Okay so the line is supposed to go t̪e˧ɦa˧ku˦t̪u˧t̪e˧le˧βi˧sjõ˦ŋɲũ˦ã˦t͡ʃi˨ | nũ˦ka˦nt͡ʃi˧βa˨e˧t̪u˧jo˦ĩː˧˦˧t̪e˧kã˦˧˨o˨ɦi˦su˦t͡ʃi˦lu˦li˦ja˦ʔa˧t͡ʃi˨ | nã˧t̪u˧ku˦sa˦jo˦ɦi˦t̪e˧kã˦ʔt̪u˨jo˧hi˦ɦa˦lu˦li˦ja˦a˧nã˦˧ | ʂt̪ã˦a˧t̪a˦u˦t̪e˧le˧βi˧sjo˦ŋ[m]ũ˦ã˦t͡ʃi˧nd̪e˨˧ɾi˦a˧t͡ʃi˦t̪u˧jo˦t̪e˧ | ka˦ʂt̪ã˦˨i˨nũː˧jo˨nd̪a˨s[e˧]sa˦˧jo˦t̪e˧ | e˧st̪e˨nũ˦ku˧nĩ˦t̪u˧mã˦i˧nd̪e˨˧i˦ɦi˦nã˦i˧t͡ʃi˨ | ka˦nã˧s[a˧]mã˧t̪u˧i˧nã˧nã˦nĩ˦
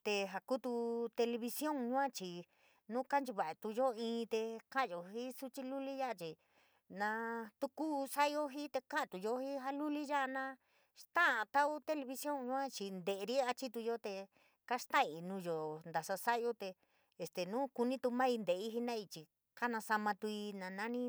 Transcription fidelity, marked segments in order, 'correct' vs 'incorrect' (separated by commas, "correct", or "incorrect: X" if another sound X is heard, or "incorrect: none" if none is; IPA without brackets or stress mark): incorrect: ɲ, incorrect: a˧, correct